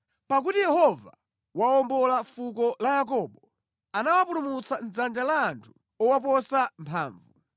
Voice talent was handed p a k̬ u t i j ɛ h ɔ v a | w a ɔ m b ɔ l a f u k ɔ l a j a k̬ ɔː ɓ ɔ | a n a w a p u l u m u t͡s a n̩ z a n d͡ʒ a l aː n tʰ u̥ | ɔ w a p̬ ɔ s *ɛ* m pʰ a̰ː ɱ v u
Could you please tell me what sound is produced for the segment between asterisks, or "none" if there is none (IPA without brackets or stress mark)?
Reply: a